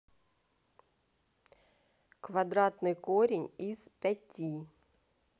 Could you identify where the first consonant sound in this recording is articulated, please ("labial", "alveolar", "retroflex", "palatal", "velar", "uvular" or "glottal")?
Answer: velar